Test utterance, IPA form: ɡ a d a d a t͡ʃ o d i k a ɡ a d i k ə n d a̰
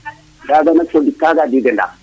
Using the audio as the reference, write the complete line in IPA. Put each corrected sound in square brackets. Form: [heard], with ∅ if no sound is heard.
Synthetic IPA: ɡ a [ɡ] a [n] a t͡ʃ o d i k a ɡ a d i [ɡ] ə n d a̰